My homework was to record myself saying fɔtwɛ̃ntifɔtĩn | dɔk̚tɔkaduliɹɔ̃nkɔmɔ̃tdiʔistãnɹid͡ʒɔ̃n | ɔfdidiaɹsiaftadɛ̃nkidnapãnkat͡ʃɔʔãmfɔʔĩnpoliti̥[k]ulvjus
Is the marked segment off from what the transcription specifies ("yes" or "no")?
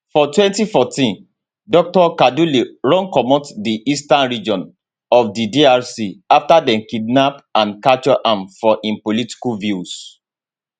no